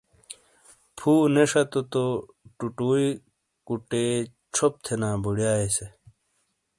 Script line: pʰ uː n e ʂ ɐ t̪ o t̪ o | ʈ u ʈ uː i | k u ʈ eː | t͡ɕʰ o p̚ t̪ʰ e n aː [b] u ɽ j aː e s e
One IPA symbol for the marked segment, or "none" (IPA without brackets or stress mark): b